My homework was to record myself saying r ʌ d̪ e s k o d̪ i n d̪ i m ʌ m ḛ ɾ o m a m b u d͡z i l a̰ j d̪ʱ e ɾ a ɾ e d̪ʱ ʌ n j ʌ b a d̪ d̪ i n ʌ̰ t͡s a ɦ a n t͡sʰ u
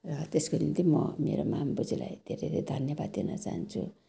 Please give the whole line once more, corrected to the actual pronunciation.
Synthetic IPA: r ʌ t̪ e s k o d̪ i n t̪ i m ʌ m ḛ ɾ o m a m b u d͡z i l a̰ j d̪ʱ e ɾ e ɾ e d̪ʱ ʌ n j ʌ b a d̪ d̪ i n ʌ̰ t͡s a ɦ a n t͡sʰ u